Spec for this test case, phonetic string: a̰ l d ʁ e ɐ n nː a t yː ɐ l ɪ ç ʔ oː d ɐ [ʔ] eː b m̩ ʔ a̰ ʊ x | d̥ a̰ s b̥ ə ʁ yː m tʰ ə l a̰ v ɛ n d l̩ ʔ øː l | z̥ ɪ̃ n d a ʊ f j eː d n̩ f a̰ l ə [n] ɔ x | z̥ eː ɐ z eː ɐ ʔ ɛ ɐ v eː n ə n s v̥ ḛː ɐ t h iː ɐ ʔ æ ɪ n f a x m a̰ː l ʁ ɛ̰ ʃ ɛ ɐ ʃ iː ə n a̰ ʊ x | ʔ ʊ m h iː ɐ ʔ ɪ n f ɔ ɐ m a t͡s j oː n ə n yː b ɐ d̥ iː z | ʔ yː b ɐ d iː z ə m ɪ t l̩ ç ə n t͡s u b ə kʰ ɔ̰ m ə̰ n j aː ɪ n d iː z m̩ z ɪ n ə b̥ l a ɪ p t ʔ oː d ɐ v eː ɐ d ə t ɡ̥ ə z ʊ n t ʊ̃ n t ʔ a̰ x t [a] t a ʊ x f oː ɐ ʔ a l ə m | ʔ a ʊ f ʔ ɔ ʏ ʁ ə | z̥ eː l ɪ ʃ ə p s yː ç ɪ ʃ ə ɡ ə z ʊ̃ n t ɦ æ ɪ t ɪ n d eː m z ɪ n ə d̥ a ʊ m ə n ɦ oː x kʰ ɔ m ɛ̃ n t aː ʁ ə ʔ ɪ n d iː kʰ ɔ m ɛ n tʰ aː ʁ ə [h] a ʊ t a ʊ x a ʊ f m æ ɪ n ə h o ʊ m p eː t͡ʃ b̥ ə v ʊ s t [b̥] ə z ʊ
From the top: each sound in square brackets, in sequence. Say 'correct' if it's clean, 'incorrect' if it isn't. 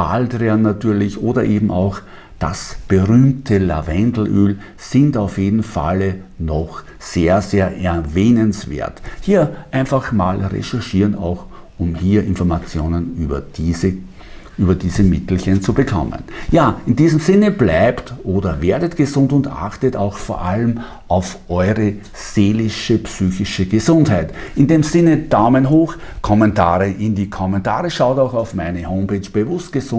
correct, correct, incorrect: ə, incorrect: ʃ, incorrect: ɡ̥

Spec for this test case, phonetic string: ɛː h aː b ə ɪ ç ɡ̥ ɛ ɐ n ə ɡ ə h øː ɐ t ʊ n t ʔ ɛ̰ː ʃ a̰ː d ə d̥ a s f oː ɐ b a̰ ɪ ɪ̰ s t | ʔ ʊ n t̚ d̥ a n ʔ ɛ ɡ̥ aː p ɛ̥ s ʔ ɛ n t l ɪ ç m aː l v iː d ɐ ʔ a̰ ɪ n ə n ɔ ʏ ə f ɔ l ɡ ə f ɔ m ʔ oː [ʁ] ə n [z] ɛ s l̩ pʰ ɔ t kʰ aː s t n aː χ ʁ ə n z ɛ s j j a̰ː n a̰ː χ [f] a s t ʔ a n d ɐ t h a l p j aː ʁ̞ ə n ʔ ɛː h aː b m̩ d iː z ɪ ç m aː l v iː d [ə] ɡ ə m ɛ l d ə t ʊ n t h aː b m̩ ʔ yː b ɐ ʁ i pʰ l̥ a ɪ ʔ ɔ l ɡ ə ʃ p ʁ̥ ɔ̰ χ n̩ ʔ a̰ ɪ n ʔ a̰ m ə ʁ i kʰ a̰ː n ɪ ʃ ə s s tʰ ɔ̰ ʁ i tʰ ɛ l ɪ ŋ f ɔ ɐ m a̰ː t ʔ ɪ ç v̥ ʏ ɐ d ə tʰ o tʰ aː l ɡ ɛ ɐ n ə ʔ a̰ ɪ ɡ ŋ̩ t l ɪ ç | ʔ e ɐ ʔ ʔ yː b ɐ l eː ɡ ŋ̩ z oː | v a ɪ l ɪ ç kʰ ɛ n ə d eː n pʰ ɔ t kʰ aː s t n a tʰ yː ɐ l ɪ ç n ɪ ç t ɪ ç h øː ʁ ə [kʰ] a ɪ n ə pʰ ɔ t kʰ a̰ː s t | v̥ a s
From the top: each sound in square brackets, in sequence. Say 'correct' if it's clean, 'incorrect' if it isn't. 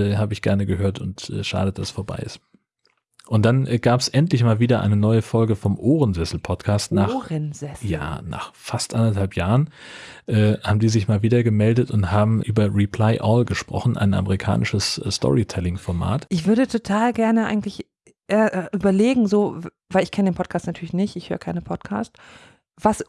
correct, correct, correct, incorrect: ɐ, correct

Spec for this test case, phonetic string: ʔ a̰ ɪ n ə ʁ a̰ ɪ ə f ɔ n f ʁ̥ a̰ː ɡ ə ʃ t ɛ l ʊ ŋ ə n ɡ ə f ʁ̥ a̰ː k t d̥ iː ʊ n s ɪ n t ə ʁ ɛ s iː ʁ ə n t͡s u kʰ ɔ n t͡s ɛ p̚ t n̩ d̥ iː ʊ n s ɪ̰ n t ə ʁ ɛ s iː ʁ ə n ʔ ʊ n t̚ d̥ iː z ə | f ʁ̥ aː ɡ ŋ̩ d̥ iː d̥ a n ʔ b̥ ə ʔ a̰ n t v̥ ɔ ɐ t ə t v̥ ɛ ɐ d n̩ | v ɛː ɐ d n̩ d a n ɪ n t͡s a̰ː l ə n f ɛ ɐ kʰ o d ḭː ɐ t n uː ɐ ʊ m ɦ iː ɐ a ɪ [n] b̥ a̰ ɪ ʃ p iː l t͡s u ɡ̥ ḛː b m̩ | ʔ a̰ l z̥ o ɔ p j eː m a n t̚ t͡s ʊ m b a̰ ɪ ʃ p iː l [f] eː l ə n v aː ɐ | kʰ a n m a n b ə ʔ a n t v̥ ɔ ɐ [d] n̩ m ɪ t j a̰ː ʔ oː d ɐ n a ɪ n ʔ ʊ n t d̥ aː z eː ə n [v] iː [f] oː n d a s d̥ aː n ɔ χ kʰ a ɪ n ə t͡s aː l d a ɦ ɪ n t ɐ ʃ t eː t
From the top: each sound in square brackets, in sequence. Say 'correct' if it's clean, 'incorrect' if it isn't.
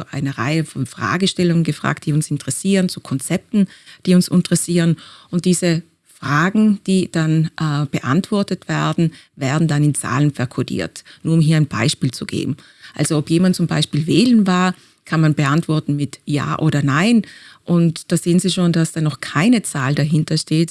correct, incorrect: v, incorrect: t, incorrect: z, incorrect: ʃ

